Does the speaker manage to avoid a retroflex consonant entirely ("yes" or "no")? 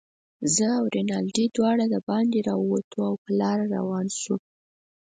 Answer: no